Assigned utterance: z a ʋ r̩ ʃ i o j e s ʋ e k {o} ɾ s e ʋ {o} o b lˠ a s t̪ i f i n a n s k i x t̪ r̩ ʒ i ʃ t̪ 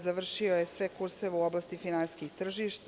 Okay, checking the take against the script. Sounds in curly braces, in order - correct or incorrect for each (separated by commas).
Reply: incorrect, incorrect